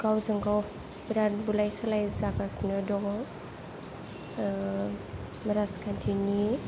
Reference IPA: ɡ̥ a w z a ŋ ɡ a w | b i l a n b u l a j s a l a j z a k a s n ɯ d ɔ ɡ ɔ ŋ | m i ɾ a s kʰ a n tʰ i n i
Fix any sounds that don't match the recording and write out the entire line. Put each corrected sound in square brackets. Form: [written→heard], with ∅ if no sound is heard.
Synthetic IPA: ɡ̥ a w z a ŋ ɡ a w | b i [l→ɾ] a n b u l a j s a l a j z a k a s n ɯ d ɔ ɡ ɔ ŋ | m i ɾ a s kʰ a n tʰ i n i